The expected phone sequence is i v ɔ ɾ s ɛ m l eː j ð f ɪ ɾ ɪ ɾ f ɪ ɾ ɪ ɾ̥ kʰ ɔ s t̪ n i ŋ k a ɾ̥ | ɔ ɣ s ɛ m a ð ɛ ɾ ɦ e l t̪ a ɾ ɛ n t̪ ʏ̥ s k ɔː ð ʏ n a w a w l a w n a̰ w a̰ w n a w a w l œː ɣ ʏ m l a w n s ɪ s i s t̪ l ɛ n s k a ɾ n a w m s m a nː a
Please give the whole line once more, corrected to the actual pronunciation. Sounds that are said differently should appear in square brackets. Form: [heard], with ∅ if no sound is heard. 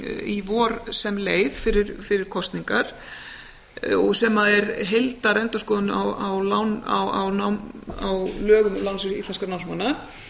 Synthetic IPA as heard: i v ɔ ɾ s ɛ m l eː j ð f ɪ ɾ ɪ ɾ f ɪ ɾ ɪ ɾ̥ kʰ ɔ s t̪ n i ŋ k a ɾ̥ | ɔ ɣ s ɛ m a ð ɛ ɾ ɦ e l t̪ a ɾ ɛ n t̪ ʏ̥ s k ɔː ð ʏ n a w a w l a w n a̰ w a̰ w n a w a w l œː ɣ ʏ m l a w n s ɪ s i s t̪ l ɛ n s k a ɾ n a w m s m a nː a